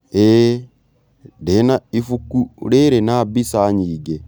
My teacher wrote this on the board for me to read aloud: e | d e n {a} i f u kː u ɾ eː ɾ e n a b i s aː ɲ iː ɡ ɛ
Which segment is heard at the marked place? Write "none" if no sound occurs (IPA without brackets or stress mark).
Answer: a